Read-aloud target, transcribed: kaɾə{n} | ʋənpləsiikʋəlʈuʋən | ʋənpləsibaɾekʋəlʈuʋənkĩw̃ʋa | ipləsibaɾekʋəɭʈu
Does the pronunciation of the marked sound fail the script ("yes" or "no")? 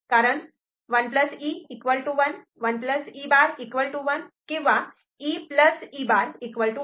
yes